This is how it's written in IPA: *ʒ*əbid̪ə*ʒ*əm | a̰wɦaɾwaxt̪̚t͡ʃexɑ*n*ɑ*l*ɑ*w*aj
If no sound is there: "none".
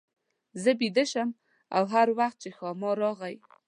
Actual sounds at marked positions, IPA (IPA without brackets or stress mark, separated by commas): z, ʃ, m, ɾ, ɣ